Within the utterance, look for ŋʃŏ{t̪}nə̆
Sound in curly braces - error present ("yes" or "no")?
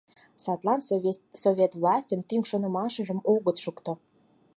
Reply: yes